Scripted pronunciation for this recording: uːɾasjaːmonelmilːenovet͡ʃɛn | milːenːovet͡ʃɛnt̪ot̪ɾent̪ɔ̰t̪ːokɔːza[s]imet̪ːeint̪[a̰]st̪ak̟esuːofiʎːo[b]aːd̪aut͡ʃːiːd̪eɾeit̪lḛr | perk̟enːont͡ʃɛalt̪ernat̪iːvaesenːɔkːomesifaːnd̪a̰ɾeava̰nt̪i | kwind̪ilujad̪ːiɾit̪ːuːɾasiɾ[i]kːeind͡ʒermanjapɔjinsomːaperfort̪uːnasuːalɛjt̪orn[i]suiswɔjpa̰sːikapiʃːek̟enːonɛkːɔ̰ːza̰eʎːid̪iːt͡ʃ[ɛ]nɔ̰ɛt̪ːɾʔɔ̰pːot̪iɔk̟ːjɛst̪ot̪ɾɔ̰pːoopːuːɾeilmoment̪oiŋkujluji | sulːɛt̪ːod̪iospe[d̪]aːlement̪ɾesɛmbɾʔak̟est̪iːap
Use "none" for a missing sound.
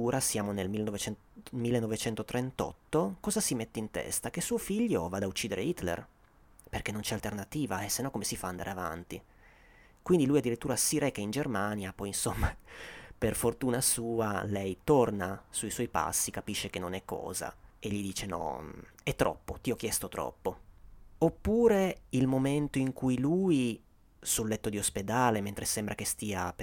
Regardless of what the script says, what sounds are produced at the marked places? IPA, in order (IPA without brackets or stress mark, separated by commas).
s, ɛ̰, v, ɛ, a, e, d̪